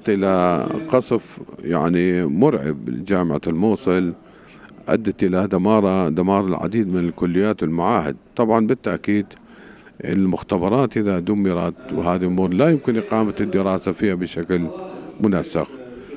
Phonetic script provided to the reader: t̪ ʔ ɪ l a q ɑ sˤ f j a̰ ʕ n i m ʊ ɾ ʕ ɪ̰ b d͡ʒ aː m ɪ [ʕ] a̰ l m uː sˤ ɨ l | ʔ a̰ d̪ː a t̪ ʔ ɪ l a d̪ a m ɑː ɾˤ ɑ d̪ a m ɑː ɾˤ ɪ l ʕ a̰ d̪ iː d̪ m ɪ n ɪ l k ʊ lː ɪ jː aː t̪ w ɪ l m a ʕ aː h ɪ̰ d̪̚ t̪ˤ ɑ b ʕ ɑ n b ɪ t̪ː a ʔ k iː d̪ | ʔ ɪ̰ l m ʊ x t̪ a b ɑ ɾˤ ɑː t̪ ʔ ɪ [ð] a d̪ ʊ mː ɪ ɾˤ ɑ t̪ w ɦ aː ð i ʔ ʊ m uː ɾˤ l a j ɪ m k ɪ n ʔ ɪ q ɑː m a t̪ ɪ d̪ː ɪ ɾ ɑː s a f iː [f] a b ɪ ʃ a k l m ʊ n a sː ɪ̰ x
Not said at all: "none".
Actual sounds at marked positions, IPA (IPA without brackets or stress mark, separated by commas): ʕ, ð, h